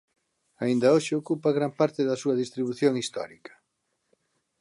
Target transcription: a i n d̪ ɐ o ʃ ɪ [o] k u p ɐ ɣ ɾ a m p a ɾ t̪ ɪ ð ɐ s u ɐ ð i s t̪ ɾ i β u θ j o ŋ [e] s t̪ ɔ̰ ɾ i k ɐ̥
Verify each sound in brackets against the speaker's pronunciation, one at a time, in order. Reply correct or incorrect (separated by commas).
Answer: correct, incorrect